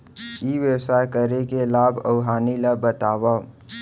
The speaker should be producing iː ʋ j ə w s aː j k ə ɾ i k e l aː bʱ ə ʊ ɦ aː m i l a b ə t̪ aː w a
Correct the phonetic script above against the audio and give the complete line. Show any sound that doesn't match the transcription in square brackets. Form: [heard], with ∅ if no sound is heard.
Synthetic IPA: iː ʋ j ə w s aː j k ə ɾ [e] k e l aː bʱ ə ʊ ɦ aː [n] i l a b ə t̪ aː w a

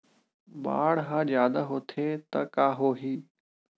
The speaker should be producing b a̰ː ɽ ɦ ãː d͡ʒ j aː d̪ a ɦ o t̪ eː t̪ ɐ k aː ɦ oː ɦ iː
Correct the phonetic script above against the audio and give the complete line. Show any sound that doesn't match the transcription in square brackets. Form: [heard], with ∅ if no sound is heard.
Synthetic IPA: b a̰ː ɽ ɦ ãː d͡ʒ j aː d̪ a ɦ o [t̪ʰ] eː t̪ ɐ k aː ɦ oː ɦ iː

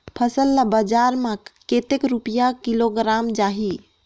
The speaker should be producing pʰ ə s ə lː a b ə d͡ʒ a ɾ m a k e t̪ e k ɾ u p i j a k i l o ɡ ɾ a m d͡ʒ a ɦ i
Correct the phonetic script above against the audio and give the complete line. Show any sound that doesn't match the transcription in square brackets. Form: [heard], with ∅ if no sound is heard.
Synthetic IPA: pʰ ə s ə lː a b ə d͡ʒ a ɾ m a k e t̪ e k ɾ u p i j a k i l o ɡ ɾ a m d͡ʒ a ɦ i

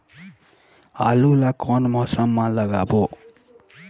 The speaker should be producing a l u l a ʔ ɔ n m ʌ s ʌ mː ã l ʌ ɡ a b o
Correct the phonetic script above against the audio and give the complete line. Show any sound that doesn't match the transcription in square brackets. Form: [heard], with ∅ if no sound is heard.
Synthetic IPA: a l u l a [k] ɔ n m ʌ s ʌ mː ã l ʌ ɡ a b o

